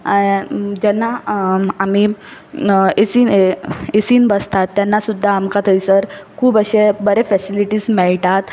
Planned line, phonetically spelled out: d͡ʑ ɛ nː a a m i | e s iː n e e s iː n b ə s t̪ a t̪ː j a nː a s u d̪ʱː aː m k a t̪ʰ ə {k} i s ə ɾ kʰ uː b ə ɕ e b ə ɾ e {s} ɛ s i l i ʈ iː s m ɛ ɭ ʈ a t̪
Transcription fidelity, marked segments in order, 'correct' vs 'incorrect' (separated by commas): incorrect, incorrect